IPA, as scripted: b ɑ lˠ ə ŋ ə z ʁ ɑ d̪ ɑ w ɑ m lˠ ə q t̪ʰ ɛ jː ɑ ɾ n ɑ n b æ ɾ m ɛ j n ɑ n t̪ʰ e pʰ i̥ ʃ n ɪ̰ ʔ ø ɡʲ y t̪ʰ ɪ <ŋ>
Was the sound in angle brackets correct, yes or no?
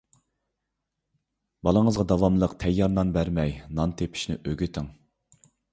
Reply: yes